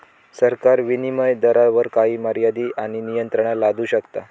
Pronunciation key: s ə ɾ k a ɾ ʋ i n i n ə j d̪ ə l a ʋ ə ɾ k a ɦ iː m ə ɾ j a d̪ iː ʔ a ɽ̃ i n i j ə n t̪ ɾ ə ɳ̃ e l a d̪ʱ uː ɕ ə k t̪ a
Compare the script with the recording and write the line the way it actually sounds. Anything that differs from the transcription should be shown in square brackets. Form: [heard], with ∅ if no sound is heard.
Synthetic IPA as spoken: s ə ɾ k a ɾ ʋ i n i [m] ə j d̪ ə [ɾ] a ʋ ə ɾ k a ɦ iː m ə ɾ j a d̪ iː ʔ a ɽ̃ i n i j ə n t̪ ɾ ə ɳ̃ [a] l a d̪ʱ uː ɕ ə k t̪ a